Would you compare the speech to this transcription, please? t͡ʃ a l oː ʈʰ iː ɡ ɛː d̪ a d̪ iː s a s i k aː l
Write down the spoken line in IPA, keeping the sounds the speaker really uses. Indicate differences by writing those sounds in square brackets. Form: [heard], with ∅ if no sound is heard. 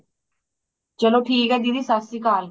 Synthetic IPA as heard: t͡ʃ [ə] l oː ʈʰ iː [k] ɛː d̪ [i] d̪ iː s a s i k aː l